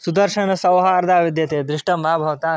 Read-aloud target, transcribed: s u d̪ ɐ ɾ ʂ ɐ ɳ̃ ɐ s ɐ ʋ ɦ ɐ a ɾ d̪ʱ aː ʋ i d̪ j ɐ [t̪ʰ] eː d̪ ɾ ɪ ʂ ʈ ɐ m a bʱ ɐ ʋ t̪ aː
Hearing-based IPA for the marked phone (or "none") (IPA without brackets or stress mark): t̪